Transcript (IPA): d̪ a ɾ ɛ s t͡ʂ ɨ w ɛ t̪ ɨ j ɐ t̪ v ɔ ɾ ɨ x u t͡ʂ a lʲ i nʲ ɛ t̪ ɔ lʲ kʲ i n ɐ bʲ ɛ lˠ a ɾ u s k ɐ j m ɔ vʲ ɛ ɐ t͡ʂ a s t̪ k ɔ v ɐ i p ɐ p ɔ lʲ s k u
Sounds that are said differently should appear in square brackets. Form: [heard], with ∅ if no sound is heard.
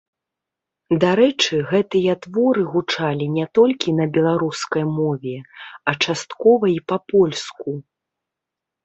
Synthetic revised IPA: d̪ a ɾ ɛ [∅] t͡ʂ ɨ [ɣ] ɛ t̪ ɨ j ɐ t̪ v ɔ ɾ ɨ [ɣ] u t͡ʂ a lʲ i nʲ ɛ t̪ ɔ lʲ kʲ i n ɐ bʲ ɛ lˠ a ɾ u s k ɐ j m ɔ vʲ ɛ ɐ t͡ʂ a s t̪ k ɔ v ɐ i p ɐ p ɔ lʲ s k u